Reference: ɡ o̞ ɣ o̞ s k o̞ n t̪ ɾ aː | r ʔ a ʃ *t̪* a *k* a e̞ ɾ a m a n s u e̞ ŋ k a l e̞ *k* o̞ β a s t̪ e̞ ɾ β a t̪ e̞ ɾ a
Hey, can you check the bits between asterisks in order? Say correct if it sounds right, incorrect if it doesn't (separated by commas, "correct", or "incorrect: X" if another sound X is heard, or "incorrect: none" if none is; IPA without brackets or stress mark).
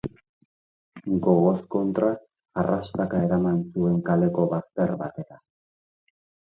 correct, correct, correct